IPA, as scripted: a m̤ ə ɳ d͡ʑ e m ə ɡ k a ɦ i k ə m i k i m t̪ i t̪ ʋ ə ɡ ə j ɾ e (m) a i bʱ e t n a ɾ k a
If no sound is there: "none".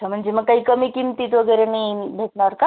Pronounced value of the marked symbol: n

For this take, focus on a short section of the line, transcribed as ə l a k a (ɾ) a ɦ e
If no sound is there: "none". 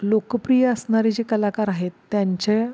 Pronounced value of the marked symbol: ɾ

